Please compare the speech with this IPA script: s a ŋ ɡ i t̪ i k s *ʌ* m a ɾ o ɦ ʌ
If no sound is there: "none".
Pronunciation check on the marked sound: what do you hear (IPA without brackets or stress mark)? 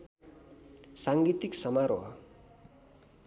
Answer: ʌ